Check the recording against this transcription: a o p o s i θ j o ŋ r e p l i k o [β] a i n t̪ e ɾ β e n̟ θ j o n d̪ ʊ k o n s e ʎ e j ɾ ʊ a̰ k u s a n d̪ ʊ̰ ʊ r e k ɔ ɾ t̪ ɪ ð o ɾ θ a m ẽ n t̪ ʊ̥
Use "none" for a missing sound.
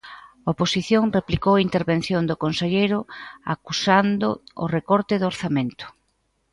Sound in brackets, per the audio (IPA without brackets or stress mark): w